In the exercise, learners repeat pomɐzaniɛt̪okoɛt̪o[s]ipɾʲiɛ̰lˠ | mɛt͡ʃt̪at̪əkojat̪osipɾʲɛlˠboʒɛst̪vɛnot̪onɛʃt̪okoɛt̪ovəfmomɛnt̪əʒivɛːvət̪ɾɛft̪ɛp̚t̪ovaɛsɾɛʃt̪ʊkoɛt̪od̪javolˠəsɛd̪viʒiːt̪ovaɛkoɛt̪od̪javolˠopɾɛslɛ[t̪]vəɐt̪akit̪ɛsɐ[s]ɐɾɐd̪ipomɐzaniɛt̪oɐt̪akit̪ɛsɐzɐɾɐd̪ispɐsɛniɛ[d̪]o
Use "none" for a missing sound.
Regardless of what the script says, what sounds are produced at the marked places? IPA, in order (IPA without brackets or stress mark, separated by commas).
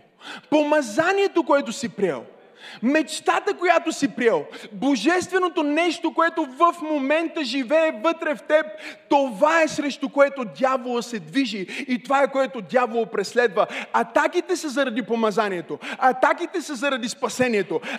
s, d̪, z, t̪